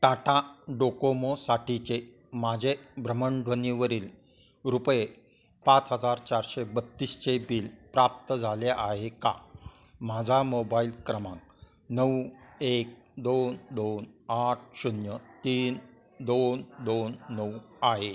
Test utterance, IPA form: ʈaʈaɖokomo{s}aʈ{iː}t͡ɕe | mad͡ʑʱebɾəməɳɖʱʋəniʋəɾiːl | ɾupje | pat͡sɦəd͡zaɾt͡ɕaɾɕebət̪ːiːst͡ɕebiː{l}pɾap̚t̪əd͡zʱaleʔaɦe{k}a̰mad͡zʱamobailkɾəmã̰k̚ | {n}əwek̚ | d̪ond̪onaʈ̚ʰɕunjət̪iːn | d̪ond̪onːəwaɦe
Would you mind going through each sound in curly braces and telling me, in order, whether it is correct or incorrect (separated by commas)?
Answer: correct, incorrect, correct, correct, correct